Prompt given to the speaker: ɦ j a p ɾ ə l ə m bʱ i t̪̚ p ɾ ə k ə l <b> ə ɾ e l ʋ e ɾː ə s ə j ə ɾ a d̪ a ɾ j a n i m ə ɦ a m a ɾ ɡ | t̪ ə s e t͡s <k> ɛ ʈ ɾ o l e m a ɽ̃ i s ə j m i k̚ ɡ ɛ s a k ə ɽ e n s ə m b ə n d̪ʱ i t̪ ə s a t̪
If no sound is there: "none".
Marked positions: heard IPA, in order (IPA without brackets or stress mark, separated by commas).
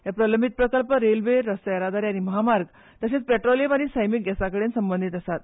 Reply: p, p